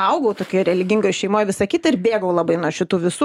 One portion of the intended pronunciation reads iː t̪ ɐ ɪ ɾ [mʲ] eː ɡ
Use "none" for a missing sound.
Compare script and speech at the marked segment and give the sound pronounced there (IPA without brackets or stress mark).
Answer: bʲ